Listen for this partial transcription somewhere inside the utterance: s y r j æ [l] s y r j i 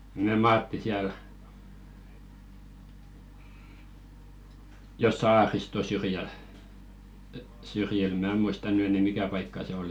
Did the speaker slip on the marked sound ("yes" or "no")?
no